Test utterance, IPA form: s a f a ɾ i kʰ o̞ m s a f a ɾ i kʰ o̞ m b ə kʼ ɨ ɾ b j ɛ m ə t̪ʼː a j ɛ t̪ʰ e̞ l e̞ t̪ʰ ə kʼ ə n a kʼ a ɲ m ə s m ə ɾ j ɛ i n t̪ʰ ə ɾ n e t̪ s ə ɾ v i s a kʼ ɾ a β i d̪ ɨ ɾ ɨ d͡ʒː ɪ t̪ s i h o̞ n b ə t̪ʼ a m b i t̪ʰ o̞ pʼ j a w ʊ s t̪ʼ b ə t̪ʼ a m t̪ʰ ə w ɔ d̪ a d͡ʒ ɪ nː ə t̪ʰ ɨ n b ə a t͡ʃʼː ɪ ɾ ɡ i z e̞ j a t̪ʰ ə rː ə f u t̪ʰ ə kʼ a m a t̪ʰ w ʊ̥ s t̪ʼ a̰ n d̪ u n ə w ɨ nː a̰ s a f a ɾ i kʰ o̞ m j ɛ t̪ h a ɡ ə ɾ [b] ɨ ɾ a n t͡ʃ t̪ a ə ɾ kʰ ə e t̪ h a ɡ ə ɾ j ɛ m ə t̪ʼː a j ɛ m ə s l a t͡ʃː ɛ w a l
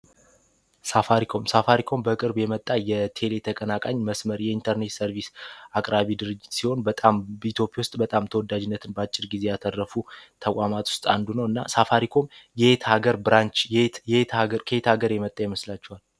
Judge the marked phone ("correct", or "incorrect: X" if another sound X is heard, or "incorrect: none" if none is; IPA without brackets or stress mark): correct